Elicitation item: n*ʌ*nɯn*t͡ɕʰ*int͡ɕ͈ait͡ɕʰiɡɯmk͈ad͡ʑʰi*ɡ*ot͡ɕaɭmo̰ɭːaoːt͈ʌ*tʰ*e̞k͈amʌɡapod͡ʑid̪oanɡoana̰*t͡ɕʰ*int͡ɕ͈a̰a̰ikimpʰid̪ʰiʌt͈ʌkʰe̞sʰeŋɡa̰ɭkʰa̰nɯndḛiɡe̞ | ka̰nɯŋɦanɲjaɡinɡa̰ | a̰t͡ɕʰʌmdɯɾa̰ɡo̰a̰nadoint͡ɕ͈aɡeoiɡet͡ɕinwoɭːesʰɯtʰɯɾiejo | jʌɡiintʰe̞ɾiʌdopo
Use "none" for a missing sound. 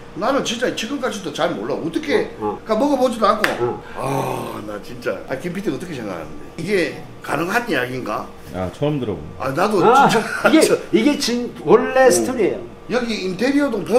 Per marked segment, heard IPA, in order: a, t͡ɕ, d, kʰ, t͡ɕ

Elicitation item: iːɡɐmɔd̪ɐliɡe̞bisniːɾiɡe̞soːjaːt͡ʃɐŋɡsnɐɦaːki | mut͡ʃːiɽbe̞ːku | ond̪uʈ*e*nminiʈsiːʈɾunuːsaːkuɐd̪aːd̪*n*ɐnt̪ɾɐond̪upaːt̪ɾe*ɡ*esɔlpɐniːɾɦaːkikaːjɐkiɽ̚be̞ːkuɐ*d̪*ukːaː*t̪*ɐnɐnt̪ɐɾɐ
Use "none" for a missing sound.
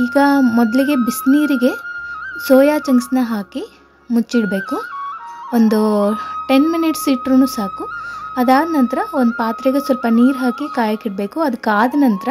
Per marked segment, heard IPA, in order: e, n, ɡ, d̪, d̪

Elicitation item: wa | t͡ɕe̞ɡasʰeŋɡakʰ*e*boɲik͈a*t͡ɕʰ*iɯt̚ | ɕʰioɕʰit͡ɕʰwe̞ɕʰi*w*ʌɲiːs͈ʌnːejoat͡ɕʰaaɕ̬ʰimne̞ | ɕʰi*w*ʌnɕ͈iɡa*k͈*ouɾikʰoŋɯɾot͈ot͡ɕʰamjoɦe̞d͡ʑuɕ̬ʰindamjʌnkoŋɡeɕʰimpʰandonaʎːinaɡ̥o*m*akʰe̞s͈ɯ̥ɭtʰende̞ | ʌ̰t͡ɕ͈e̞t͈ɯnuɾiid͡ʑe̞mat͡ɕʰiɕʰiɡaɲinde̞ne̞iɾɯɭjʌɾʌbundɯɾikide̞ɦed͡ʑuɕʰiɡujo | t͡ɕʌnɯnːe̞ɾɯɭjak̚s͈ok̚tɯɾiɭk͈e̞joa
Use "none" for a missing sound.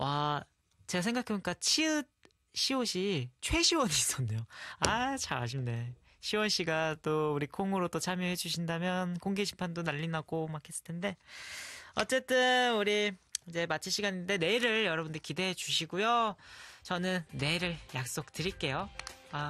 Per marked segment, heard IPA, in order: e, t͡ɕʰ, w, w, t͈, m

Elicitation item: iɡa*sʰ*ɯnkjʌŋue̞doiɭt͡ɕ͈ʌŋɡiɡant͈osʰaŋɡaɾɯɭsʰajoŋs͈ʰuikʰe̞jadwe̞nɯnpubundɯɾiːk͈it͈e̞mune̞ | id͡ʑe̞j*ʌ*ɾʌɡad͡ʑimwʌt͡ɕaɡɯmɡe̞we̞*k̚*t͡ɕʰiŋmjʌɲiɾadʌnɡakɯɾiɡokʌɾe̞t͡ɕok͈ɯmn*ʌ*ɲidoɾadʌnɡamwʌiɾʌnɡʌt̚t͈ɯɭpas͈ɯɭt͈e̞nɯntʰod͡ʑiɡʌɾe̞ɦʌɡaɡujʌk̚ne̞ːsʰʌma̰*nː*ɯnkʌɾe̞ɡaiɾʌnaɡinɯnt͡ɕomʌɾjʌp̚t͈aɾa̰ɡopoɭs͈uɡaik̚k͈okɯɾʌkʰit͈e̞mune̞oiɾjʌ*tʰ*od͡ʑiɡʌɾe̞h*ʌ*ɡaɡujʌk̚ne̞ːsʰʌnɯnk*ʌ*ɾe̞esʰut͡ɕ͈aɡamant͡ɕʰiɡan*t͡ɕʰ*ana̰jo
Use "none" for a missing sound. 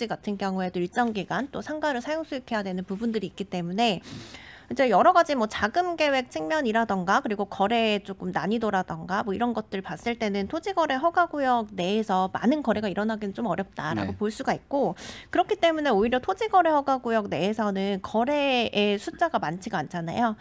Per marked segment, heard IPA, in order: tʰ, ʌ, k̚, a, n, tʰ, ʌ, ʌ, t͡ɕʰ

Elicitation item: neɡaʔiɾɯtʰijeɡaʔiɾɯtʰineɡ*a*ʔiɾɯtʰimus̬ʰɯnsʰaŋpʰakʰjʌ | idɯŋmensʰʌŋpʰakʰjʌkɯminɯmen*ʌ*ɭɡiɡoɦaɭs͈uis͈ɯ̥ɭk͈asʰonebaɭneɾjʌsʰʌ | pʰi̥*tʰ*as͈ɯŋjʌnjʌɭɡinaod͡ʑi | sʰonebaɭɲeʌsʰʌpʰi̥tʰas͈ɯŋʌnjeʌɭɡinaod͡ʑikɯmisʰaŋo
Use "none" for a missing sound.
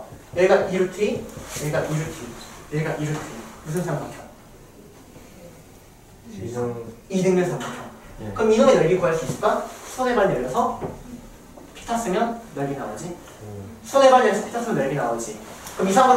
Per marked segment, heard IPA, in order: a, ʌ, tʰ

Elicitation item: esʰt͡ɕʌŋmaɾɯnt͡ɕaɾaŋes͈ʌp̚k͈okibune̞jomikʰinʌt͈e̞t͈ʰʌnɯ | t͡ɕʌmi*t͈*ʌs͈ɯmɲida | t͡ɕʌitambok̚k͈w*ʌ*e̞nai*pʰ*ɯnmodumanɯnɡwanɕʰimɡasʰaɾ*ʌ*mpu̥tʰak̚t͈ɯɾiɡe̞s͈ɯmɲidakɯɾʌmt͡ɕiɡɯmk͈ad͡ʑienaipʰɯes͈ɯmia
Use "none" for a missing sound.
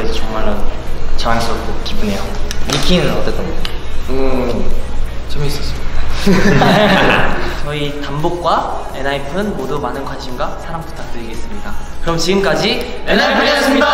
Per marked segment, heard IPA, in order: s͈, a, pʰ, a

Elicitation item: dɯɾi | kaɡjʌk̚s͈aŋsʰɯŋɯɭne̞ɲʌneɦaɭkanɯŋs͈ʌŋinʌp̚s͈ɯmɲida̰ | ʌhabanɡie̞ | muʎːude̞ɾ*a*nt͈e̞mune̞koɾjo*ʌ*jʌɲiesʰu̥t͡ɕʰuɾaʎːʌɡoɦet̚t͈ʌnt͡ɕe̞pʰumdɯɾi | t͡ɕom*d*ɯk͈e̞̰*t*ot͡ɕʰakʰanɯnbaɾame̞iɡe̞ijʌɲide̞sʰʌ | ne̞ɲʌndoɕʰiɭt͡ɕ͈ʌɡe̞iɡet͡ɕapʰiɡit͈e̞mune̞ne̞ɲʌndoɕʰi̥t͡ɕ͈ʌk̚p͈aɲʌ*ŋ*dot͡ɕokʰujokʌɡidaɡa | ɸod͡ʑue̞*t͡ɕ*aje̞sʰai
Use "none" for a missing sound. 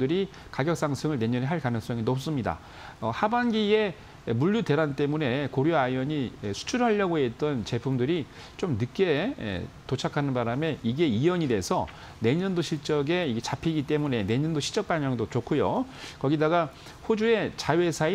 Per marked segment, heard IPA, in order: a, a, n, t, ŋ, t͡ɕ

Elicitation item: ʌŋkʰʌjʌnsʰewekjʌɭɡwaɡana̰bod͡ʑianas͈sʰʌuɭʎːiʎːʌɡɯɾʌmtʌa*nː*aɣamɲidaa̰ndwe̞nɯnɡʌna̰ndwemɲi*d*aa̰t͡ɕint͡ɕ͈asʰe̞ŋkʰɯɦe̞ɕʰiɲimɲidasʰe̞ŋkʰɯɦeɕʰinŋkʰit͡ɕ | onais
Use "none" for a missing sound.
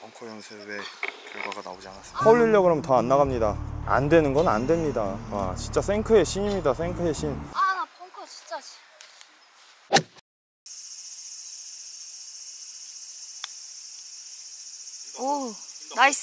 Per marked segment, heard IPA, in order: nː, d

